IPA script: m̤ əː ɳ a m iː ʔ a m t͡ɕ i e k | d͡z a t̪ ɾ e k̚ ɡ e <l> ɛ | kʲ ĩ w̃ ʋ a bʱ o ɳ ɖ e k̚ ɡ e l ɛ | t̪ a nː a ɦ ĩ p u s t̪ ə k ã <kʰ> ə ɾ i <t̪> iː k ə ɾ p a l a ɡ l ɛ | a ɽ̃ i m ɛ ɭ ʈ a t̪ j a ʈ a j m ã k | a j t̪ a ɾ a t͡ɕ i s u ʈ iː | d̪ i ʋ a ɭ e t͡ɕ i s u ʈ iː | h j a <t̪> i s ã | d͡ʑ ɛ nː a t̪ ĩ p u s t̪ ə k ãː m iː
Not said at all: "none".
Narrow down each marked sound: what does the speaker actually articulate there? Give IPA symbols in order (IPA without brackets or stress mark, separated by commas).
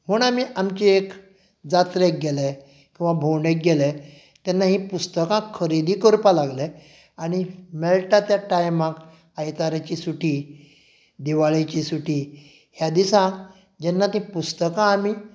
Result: l, kʰ, d̪, d̪